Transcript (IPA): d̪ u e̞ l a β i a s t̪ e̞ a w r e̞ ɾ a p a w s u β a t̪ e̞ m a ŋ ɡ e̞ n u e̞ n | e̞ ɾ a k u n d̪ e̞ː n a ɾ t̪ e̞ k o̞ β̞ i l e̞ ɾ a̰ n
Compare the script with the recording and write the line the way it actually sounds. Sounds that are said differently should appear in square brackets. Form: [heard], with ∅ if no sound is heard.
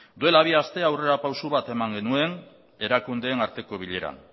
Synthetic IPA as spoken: d̪ u e̞ l a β i a s t̪ e̞ a w r e̞ ɾ a p a w s u β a t̪ e̞ m a ŋ ɡ e̞ n u e̞ n | e̞ ɾ a k u n d̪ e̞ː n a ɾ t̪ e̞ k o̞ β̞ i [ʎ] e̞ ɾ a̰ n